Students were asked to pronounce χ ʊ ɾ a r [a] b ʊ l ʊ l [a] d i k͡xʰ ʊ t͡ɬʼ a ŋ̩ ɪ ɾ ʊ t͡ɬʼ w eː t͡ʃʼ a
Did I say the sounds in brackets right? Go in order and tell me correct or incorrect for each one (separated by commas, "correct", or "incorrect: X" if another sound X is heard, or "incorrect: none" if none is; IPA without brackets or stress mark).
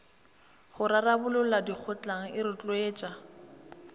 correct, correct